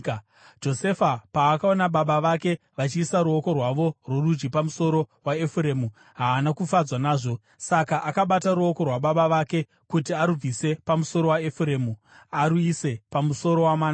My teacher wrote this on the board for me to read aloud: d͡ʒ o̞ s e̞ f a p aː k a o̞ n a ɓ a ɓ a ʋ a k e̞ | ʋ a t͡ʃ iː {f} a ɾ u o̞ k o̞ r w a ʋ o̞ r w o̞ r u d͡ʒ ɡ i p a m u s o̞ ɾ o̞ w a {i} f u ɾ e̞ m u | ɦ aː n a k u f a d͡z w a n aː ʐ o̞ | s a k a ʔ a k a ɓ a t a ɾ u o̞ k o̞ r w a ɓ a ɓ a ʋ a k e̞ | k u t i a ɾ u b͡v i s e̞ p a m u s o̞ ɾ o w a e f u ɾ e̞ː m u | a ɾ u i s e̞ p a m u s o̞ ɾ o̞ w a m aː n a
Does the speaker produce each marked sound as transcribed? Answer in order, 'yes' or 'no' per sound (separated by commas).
no, no